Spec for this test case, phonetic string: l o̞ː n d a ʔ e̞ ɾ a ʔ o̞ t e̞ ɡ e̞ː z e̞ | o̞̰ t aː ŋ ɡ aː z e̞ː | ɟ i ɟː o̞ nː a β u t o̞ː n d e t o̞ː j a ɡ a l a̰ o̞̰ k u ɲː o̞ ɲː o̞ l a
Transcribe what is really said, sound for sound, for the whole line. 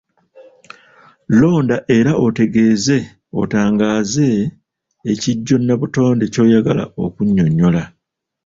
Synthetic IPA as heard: l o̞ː n d a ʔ e̞ ɾ a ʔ o̞ t e̞ ɡ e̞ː z e̞ | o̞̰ t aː ŋ ɡ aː z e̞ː | c i ɟː o̞ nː a β u t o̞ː n d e c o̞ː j a ɡ a l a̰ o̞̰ k u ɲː o̞ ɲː o̞ l a